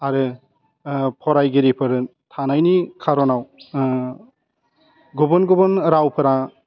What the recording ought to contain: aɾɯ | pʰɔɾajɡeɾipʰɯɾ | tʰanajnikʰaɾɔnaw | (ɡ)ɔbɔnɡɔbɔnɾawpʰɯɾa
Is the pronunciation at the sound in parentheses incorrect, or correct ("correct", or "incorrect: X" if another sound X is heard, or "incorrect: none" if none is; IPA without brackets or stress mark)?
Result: correct